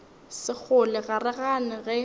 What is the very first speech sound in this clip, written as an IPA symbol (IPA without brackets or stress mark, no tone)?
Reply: s